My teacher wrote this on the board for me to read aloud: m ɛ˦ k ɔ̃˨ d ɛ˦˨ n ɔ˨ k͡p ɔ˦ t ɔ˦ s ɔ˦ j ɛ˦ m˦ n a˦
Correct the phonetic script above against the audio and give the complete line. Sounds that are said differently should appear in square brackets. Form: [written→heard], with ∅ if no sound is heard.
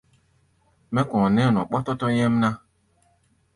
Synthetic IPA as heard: m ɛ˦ k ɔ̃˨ [d→n] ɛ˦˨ n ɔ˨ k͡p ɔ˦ t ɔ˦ [s→t] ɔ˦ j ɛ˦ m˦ n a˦